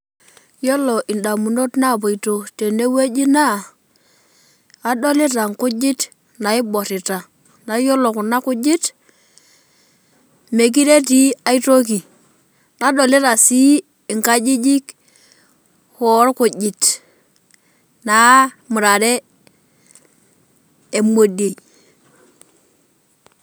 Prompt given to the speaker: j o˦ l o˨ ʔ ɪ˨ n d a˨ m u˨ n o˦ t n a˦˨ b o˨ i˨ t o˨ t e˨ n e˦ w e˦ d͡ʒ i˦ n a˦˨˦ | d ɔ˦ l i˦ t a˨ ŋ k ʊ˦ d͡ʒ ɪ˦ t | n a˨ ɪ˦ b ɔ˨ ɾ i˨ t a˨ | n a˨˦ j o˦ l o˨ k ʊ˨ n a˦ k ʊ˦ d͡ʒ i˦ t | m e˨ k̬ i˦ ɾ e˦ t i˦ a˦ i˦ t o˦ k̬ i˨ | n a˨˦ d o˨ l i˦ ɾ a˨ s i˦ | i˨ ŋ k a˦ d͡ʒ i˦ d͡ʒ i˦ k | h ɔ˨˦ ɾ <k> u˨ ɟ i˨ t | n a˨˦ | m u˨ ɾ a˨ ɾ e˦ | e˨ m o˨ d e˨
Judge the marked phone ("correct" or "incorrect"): correct